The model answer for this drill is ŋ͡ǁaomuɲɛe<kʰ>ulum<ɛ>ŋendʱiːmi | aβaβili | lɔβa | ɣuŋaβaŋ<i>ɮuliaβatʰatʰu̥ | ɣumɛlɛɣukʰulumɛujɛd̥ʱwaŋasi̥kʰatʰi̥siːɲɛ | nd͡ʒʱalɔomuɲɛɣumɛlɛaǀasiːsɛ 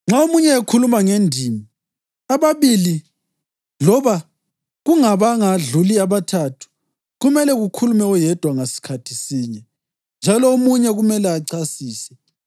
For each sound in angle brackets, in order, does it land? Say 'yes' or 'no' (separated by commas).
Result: yes, no, no